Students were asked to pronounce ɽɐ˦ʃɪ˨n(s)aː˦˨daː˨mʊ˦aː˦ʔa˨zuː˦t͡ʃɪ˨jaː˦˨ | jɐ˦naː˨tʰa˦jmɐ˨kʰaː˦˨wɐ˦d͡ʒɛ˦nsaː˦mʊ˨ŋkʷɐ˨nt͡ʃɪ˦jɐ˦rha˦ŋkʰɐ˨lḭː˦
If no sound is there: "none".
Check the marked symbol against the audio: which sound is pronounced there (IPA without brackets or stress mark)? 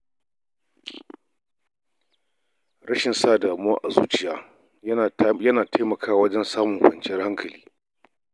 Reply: s